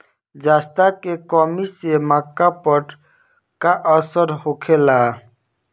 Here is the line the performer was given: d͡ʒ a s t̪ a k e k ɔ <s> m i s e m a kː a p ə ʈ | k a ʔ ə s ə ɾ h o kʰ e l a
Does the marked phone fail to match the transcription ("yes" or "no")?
yes